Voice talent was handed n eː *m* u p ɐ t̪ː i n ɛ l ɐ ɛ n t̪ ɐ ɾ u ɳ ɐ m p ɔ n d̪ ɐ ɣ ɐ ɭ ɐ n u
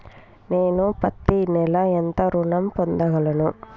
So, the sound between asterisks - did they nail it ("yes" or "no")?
no